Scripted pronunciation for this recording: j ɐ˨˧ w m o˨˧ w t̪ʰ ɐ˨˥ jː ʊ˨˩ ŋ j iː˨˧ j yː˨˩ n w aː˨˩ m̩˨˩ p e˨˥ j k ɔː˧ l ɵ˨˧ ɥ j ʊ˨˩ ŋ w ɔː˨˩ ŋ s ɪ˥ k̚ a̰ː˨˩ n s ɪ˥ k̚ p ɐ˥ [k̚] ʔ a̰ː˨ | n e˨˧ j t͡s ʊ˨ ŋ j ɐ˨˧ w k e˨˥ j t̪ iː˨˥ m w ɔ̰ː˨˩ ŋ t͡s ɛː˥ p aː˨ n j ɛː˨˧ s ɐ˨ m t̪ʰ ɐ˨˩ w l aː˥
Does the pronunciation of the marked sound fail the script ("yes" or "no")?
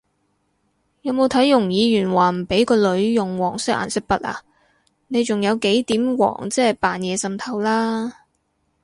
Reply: yes